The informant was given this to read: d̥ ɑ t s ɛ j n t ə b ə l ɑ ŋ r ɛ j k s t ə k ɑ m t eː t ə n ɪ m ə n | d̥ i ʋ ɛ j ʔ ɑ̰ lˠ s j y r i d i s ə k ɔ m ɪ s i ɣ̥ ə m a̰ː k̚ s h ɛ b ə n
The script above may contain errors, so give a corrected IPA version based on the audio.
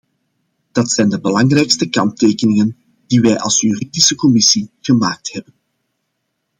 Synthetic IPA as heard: d̥ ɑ t s ɛ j n d ə b ə l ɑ ŋ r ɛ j k s t ə k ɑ n t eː k ə n ɪ ŋ ə n | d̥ i ʋ ɛ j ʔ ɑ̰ lˠ s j y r i d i s ə k ɔ m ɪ s i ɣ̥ ə m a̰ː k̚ t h ɛ b ə n